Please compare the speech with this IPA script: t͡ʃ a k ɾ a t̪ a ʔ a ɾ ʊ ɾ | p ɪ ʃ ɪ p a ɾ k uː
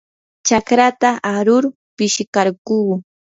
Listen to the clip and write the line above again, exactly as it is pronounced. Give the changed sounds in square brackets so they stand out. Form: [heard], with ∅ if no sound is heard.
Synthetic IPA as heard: t͡ʃ a k ɾ a t̪ a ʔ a ɾ ʊ ɾ | p ɪ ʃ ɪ [k] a ɾ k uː